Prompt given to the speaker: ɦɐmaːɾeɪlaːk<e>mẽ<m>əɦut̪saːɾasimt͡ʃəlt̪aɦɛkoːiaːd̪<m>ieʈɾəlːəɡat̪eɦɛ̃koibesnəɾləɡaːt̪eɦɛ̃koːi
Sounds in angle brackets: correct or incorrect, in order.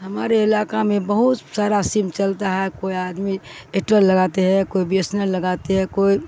incorrect: a, incorrect: b, correct

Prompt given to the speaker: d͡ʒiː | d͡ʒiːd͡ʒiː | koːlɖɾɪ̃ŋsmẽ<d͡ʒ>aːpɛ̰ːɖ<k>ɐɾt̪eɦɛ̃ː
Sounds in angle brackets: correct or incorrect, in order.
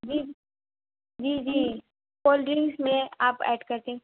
incorrect: none, correct

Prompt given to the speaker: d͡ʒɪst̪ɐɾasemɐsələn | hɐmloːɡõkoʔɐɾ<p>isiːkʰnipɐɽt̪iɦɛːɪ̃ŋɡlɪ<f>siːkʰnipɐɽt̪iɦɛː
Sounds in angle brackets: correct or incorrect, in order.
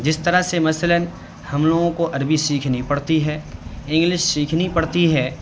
incorrect: b, incorrect: ʃ

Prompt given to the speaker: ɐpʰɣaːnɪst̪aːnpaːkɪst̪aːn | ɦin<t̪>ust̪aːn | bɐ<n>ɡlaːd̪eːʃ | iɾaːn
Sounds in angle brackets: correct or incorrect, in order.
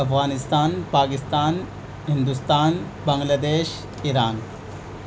incorrect: d̪, incorrect: ŋ

